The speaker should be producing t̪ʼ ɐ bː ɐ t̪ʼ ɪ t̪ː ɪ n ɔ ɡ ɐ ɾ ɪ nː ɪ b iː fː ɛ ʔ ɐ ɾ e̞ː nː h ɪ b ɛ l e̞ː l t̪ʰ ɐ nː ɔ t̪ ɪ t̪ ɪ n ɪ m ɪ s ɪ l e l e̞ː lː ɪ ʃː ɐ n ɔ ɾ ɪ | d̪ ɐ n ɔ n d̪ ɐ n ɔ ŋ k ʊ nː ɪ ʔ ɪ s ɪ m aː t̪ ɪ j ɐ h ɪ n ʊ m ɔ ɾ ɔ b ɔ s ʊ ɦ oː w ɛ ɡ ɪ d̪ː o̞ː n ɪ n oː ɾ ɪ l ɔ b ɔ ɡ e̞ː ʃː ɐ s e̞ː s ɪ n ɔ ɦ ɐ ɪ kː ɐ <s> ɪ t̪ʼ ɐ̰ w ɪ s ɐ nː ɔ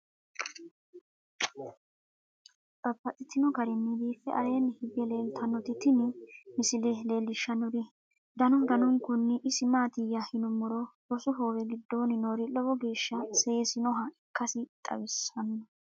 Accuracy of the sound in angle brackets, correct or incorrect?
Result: correct